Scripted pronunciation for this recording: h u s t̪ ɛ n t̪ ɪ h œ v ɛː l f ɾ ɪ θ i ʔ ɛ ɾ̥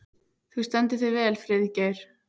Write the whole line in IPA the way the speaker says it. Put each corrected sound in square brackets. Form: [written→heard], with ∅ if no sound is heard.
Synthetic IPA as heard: [h→θ] u s t̪ ɛ n t̪ ɪ [h→θ] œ v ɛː l f ɾ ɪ [θ→ð] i [ʔ→c] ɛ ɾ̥